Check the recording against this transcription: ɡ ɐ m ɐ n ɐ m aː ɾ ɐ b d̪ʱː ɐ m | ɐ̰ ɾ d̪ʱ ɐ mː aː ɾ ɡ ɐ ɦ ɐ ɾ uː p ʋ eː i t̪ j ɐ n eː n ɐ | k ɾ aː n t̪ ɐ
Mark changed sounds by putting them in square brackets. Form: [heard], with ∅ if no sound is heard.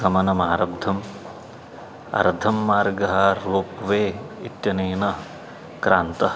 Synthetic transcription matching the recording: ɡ ɐ m ɐ n ɐ m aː ɾ ɐ b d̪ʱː ɐ m | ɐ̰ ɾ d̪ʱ ɐ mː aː ɾ ɡ ɐ ɦ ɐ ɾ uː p ʋ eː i t̪ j ɐ n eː n ɐ | k ɾ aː n t̪ ɐ